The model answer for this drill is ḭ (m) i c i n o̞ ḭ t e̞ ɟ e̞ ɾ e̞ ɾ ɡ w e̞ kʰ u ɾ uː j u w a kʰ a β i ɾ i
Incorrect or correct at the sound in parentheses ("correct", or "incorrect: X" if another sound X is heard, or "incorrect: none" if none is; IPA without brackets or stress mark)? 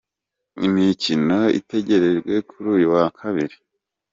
correct